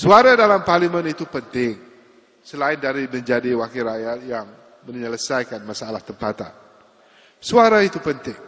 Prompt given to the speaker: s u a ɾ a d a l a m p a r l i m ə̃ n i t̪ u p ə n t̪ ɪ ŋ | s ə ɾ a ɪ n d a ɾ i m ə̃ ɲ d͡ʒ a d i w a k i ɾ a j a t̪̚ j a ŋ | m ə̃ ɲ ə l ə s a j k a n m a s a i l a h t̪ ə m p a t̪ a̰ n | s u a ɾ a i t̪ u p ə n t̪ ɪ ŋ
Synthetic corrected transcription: s u a ɾ a d a l a m p a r l i m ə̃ n i t̪ u p ə n t̪ ɪ ŋ | s ə l a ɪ n d a ɾ i m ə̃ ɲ d͡ʒ a d i w a k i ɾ a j a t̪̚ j a ŋ | m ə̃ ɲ ə l ə s a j k a n m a s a a l a h t̪ ə m p a t̪ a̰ n | s u a ɾ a i t̪ u p ə n t̪ ɪ ŋ

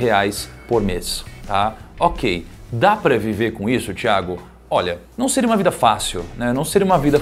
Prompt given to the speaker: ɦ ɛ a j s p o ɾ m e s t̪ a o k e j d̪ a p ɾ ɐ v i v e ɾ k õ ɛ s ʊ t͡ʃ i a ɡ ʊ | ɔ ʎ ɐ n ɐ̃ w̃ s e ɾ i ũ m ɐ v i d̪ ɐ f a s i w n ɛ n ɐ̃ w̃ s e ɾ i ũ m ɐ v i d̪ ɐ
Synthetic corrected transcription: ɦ e a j s p o ɾ m e s t̪ a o k e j d̪ a p ɾ ɐ v i v e ɾ k õ i s ʊ t͡ʃ i a ɡ ʊ | ɔ ʎ ɐ n ɐ̃ w̃ s e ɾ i ũ m ɐ v i d̪ ɐ f a s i w n ɛ n ɐ̃ w̃ s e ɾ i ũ m ɐ v i d̪ ɐ

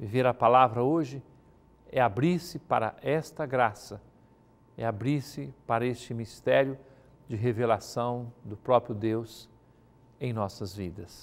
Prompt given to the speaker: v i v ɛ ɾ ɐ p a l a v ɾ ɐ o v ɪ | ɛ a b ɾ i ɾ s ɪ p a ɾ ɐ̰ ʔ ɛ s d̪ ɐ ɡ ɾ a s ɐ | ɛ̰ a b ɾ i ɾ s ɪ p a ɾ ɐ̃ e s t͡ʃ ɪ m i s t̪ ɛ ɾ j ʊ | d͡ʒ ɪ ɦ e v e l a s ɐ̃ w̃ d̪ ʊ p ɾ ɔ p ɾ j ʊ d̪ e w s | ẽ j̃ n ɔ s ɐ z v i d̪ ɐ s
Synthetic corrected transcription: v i v e ɾ ɐ p a l a v ɾ ɐ o ʒ ɪ | ɛ a b ɾ i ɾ s ɪ p a ɾ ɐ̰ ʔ ɛ s t̪ ɐ ɡ ɾ a s ɐ | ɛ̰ a b ɾ i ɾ s ɪ p a ɾ ɐ e s t͡ʃ ɪ m i s t̪ ɛ ɾ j ʊ | d͡ʒ ɪ ɦ e v e l a s ɐ̃ w̃ d̪ ʊ p ɾ ɔ p ɾ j ʊ d̪ e w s | ẽ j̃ n ɔ s ɐ z v i d̪ ɐ s

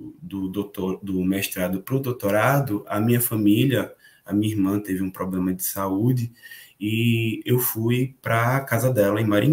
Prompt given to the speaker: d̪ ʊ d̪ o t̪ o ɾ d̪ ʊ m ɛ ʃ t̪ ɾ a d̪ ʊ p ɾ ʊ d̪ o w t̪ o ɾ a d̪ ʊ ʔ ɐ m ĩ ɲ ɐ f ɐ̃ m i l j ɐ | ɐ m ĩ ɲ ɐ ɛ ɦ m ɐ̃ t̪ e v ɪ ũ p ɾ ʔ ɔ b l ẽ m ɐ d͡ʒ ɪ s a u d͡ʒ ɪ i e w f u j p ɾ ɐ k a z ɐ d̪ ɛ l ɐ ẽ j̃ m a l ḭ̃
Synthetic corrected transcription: d̪ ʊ d̪ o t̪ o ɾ d̪ ʊ m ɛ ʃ t̪ ɾ a d̪ ʊ p ɾ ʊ d̪ o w t̪ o ɾ a d̪ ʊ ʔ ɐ m ĩ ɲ ɐ f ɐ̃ m i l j ɐ | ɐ m ĩ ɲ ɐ i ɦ m ɐ̃ t̪ e v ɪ ũ p ɾ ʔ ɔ b l ẽ m ɐ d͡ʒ ɪ s a u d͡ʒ ɪ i e w f u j p ɾ ɐ k a z ɐ d̪ ɛ l ɐ ẽ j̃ m a ɾ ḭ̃

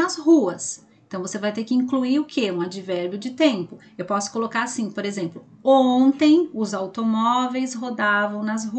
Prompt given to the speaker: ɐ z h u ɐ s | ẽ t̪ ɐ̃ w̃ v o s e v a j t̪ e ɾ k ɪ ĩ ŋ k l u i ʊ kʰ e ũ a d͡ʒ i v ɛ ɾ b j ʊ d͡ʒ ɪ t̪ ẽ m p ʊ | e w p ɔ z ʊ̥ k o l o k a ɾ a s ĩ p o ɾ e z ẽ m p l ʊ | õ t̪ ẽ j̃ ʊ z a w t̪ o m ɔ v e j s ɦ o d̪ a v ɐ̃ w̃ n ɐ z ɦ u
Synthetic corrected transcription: ɐ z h u ɐ s | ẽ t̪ ɐ̃ w̃ v o s e v a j t̪ e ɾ k ɪ ĩ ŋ k l u i ʊ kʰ e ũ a d͡ʒ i v ɛ ɾ b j ʊ d͡ʒ ɪ t̪ ẽ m p ʊ | e w p ɔ s ʊ̥ k o l o k a ɾ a s ĩ p o ɾ e z ẽ m p l ʊ | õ t̪ ẽ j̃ ʊ z a w t̪ o m ɔ v e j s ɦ o d̪ a v ɐ̃ w̃ n ɐ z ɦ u

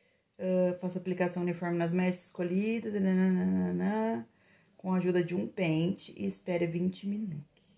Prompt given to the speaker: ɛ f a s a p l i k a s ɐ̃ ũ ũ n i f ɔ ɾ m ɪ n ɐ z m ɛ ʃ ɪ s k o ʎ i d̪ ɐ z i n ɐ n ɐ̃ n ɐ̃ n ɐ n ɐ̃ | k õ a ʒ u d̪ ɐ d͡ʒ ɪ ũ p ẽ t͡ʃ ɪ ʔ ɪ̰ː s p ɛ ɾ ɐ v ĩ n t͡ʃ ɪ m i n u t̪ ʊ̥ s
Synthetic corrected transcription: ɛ f a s a p l i k a s ɐ̃ w̃ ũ n i f ɔ ɾ m ɪ n ɐ z m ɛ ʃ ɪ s k o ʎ i d̪ ɐ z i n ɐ n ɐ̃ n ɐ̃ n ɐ n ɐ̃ | k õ a ʒ u d̪ ɐ d͡ʒ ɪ ũ p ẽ t͡ʃ ɪ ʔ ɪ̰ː s p ɛ ɾ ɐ v ĩ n t͡ʃ ɪ m i n u t̪ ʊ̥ s

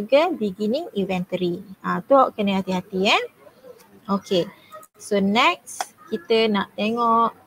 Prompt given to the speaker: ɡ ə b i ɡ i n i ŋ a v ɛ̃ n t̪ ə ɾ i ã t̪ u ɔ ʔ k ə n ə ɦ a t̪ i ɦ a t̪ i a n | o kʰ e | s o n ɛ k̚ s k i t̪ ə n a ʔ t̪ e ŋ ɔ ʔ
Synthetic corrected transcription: ɡ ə b i ɡ i n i ŋ i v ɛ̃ n t̪ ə ɾ i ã t̪ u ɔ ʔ k ə n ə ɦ a t̪ i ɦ a t̪ i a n | o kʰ e | s o n ɛ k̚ s k i t̪ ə n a ʔ t̪ e ŋ ɔ ʔ

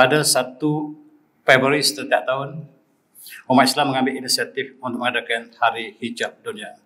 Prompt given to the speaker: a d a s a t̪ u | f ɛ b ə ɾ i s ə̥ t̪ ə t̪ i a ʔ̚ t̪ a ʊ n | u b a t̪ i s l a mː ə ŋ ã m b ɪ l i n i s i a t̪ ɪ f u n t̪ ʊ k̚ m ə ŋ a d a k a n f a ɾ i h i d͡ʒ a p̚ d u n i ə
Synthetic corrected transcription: a d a s a t̪ u | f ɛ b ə ɾ i s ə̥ t̪ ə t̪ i a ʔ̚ t̪ a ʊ n | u m a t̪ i s l a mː ə ŋ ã m b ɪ l i n i s i a t̪ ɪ f u n t̪ ʊ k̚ m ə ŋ a d a k a n h a ɾ i h i d͡ʒ a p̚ d u n i a

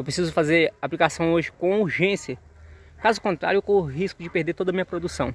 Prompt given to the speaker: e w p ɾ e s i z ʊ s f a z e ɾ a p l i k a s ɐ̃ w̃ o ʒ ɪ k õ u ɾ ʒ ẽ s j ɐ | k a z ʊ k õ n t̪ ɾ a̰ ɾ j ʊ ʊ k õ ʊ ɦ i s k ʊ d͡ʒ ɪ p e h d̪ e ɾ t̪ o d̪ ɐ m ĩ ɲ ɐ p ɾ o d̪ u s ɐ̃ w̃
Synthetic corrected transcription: e w p ɾ e s i z ʊ f a z e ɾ a p l i k a s ɐ̃ w̃ o ʒ ɪ k õ u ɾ ʒ ẽ s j ɐ | k a z ʊ k õ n t̪ ɾ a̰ ɾ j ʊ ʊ k õ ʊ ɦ i s k ʊ d͡ʒ ɪ p e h d̪ e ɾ t̪ o d̪ ɐ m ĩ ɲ ɐ p ɾ o d̪ u s ɐ̃ w̃

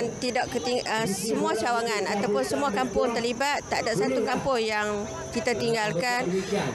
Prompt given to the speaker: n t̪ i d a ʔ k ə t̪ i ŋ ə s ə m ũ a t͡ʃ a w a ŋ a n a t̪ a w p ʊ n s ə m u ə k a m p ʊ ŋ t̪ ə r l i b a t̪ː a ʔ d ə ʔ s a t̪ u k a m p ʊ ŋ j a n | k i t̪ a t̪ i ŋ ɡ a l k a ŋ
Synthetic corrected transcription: n t̪ i d a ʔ k ə t̪ i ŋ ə s ə m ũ a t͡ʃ a w a ŋ a n a t̪ a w p ʊ n s ə m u a k a m p ʊ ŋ t̪ ə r l i b a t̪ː a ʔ d a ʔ s a t̪ u k a m p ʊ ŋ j a ŋ | k i t̪ a t̪ i ŋ ɡ a l k a n

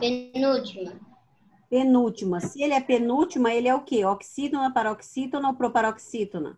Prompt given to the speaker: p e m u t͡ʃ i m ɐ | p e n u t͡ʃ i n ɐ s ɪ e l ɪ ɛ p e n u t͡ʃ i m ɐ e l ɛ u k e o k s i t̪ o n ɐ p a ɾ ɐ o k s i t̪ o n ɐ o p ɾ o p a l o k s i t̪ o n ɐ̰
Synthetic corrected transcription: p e n u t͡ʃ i m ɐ | p e n u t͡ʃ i m ɐ s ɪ e l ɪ ɛ p e n u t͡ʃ i m ɐ e l ɛ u k e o k s i t̪ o n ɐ p a ɾ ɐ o k s i t̪ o n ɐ o p ɾ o p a ɾ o k s i t̪ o n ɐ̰

